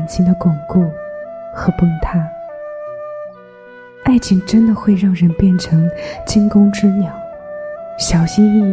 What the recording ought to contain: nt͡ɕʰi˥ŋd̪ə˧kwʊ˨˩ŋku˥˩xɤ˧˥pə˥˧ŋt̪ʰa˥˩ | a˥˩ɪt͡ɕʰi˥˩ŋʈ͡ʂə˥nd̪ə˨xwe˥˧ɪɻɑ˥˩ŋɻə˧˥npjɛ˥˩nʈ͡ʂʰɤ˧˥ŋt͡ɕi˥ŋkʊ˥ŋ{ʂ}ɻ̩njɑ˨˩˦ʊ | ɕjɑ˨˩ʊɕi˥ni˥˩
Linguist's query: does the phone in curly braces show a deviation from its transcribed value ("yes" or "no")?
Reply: yes